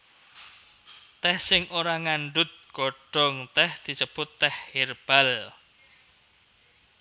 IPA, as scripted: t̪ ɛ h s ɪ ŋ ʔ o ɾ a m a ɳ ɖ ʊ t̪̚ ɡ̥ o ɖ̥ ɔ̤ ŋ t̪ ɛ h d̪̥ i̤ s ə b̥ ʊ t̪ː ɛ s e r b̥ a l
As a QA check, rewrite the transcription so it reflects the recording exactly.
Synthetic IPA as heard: t̪ ɛ h s ɪ ŋ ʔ o ɾ a ŋ a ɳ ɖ ʊ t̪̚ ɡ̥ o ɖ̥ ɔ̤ ŋ t̪ ɛ h d̪̥ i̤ s ə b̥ ʊ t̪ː ɛ h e r b̥ a l

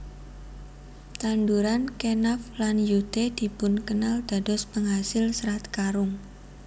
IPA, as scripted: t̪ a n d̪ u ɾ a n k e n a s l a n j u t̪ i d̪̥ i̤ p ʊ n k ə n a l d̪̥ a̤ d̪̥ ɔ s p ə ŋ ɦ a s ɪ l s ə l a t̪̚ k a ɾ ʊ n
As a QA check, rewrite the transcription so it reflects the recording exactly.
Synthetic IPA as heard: t̪ a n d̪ u ɾ a n k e n a f l a n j u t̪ e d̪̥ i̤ p ʊ n k ə n a l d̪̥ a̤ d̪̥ ɔ s p ə ŋ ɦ a s ɪ l s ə ɾ a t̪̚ k a ɾ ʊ ŋ

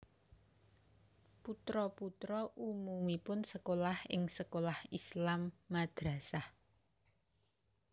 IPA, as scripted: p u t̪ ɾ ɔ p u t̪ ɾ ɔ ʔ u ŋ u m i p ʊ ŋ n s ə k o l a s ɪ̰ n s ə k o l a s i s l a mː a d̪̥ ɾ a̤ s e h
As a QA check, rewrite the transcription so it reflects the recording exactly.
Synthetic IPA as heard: p u t̪ ɾ ɔ p u t̪ ɾ ɔ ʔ u m u m i p ʊ n s ə k o l a h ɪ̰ ŋ s ə k o l a h i s l a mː a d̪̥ ɾ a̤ s a h

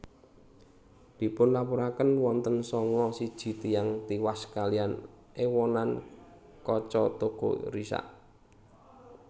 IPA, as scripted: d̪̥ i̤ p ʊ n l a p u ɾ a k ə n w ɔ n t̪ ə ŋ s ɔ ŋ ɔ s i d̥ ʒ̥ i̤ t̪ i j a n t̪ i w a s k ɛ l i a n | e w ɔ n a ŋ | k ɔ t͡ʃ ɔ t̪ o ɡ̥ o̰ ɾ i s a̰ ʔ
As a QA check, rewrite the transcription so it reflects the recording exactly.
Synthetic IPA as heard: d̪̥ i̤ p ʊ n l a p u ɾ a k ə n w ɔ n t̪ ə n s ɔ ŋ ɔ s i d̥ ʒ̥ i̤ t̪ i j a ŋ t̪ i w a s k a l i a n | e w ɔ n a n | k ɔ t͡ʃ ɔ t̪ o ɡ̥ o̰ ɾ i s a̰ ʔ

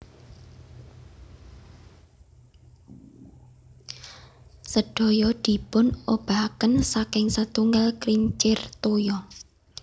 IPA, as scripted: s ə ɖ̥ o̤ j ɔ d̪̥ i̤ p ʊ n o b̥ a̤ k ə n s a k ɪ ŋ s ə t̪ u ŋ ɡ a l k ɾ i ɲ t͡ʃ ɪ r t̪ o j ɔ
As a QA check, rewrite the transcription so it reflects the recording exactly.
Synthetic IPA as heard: s ə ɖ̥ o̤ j ɔ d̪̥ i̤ p ʊ n o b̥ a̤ k ə n s a k ɪ ŋ s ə t̪ u ŋ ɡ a l k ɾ i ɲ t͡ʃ ɪ r t̪ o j ɔ

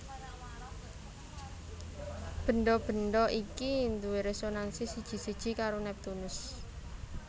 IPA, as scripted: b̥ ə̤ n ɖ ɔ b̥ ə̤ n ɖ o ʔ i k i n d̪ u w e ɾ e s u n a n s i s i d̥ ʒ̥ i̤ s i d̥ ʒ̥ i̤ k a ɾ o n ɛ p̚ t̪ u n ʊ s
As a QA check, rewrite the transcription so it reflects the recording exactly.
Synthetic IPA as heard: b̥ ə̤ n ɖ ɔ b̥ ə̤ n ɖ ɔ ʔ i k i n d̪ u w e ɾ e s o n a n s i s i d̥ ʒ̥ i̤ s i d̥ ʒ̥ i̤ k a ɾ o n ɛ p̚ t̪ u n ʊ s

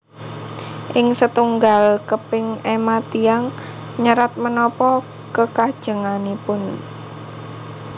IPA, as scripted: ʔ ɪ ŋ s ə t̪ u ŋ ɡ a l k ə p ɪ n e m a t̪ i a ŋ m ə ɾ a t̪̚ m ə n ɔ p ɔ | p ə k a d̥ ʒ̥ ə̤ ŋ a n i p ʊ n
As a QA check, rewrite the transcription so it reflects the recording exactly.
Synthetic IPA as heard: ʔ ɪ ŋ s ə t̪ u ŋ ɡ a l k ə p ɪ ŋ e m a t̪ i a ŋ ɲ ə ɾ a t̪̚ m ə n ɔ p ɔ | k ə k a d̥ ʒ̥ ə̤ ŋ a n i p ʊ n

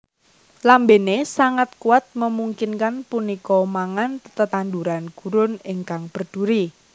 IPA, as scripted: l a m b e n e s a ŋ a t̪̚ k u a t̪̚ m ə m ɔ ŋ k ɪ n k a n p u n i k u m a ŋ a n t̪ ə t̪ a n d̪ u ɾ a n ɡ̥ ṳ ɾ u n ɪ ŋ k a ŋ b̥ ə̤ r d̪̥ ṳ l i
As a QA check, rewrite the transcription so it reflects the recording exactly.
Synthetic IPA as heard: l a m b e n e s a ŋ a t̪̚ k u a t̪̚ m ə m u ŋ k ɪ n k a n p u n i k ɔ m a ŋ a n t̪ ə t̪ a n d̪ u ɾ a n ɡ̥ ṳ ɾ ʊ n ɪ ŋ k a ŋ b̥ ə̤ r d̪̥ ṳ ɾ i

